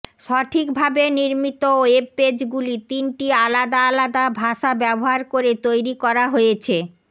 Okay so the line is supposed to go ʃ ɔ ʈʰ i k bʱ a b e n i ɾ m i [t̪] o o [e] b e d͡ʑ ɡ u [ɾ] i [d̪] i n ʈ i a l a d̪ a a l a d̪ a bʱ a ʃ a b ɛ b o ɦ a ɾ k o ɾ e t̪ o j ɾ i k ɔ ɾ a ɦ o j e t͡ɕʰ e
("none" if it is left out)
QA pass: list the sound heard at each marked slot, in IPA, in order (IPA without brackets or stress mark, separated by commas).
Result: t̪, e, l, t̪